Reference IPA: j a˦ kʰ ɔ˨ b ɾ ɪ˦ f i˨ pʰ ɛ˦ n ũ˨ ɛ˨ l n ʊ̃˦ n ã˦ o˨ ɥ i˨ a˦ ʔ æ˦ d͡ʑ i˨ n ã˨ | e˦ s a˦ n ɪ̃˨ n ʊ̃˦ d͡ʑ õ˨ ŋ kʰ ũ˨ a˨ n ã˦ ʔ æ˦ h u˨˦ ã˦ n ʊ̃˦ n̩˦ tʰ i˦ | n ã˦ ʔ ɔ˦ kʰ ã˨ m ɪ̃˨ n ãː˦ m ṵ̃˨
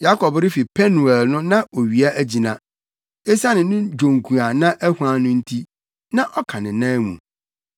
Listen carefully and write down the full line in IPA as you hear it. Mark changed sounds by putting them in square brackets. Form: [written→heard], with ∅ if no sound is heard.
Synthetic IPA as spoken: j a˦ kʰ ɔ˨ b ɾ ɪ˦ f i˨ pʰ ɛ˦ n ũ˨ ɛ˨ l n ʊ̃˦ n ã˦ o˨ ɥ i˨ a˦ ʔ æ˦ d͡ʑ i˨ n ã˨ | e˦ s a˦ n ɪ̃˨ n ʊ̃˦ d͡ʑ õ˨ ŋ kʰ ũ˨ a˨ n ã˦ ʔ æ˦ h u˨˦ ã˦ n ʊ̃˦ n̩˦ tʰ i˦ | n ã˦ ʔ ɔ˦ kʰ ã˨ [m→n] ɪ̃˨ n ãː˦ m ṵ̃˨

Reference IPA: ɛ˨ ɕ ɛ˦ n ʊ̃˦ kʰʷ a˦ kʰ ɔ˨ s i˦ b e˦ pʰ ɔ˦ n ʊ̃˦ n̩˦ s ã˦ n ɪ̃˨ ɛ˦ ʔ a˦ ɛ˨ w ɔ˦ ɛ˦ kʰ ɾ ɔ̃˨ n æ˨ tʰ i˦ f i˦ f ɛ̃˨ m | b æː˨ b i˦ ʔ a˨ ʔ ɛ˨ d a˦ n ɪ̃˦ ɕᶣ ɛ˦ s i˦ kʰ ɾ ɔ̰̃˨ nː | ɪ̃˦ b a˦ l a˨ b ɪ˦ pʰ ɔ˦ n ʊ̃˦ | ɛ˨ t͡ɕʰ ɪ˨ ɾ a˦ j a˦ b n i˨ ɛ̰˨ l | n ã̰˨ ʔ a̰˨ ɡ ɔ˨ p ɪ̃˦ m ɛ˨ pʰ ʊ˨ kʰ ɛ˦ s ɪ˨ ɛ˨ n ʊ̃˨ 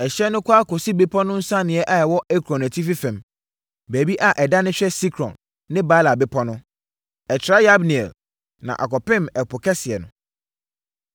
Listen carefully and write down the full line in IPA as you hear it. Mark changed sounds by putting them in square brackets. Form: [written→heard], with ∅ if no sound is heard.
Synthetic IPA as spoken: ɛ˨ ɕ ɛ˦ n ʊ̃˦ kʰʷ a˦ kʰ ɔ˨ s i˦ b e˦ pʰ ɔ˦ n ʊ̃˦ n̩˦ s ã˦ n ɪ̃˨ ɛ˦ ʔ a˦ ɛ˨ w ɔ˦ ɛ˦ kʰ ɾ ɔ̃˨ n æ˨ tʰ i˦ f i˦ f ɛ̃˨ m | b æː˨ b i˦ ʔ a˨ ʔ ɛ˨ d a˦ n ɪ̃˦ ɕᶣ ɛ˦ s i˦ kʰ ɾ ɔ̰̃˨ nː | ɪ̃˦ b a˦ l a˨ b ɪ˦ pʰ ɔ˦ n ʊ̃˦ | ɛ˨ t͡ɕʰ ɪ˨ ɾ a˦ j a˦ b n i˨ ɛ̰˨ l | n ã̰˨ ʔ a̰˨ [ɡ→k] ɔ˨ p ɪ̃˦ m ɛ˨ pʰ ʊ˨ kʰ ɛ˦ s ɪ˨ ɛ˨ n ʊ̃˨

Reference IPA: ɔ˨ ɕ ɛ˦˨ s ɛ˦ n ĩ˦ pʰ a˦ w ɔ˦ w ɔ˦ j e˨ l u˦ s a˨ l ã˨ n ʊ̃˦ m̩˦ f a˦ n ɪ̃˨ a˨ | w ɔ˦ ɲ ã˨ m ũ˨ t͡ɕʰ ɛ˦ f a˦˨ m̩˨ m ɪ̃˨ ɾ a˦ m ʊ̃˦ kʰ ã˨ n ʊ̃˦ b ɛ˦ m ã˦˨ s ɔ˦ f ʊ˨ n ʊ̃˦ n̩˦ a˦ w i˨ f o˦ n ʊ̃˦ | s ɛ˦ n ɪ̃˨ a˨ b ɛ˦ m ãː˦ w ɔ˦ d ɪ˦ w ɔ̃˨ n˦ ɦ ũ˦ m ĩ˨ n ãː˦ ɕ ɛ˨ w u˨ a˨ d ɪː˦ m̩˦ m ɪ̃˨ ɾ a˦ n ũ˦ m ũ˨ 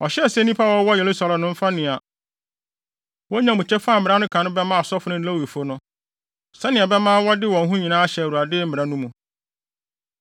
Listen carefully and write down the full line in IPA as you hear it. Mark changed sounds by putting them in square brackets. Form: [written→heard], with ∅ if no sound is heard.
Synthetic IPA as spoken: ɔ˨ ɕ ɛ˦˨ s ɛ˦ n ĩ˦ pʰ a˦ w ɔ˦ w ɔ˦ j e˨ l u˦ s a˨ l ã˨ n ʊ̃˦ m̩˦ f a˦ n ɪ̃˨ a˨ | w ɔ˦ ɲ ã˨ m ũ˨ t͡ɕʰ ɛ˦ f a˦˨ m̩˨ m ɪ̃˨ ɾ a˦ [m→n] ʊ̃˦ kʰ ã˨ n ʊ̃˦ b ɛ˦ m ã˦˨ s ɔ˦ f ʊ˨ n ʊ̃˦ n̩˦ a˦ w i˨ f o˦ n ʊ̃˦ | s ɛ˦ n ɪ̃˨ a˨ b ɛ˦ m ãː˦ w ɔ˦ d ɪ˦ w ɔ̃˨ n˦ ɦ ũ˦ [m→ɲ] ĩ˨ n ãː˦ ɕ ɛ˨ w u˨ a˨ d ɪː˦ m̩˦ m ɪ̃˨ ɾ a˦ n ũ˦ m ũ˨

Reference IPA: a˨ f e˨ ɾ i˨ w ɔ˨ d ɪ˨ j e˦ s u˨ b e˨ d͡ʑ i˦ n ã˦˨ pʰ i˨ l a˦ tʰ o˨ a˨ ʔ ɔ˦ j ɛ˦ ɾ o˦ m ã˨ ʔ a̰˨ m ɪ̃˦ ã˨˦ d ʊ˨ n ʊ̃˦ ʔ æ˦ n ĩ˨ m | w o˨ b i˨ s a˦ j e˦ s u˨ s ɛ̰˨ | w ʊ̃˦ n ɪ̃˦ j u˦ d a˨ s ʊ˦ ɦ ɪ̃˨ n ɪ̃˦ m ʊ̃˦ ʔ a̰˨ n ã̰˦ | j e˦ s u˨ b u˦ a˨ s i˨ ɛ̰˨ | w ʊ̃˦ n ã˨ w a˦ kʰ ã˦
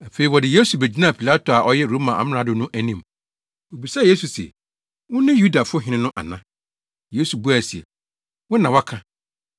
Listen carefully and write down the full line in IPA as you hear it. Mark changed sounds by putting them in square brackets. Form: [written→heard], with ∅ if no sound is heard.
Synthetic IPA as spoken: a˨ f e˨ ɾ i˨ w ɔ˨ d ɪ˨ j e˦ s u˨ b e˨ d͡ʑ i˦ n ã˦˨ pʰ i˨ l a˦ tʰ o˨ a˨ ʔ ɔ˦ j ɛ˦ ɾ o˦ m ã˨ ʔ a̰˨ m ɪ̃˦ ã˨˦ d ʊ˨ n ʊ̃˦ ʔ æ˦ n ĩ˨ m | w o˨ b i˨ s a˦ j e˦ s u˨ s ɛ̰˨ | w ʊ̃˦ n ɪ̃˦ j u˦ d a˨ [s→f] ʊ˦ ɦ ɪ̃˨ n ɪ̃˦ [m→n] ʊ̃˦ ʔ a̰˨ n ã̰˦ | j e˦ s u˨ b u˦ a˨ s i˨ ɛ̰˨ | w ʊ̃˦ n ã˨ w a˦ kʰ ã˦

